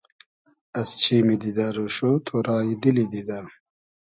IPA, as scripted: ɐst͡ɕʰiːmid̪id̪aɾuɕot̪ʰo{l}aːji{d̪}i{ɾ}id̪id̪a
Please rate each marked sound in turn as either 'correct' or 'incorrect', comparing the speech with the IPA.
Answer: incorrect, correct, incorrect

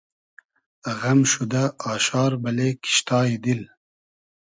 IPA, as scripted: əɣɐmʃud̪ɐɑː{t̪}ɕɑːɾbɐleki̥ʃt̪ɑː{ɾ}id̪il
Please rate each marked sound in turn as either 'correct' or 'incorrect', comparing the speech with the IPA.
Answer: incorrect, incorrect

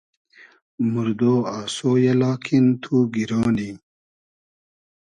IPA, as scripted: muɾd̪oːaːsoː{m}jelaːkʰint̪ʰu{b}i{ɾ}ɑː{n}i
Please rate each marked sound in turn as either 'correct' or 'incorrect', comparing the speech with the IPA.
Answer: incorrect, incorrect, correct, correct

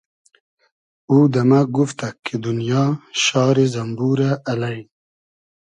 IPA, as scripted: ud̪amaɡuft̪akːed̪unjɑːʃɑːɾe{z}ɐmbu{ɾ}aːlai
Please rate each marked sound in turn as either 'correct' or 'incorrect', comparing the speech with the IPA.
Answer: correct, correct

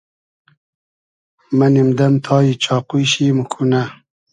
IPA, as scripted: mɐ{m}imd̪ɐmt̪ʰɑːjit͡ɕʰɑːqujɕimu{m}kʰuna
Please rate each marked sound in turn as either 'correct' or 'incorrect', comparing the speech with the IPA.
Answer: incorrect, incorrect

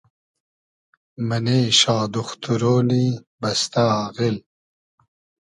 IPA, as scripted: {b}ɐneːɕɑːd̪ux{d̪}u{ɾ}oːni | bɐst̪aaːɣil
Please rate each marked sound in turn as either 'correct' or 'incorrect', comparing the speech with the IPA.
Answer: incorrect, incorrect, correct

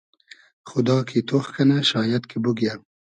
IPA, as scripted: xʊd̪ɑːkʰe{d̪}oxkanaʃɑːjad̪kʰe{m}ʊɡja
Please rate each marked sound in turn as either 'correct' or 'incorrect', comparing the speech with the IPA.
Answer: incorrect, incorrect

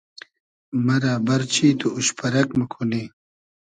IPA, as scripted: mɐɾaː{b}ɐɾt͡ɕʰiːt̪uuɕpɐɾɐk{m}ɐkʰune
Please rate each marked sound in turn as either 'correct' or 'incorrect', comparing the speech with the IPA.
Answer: correct, correct

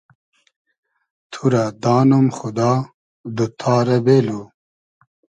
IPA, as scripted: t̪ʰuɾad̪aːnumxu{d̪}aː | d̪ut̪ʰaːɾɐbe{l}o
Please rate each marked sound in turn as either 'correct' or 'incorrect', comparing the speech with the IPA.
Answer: correct, correct

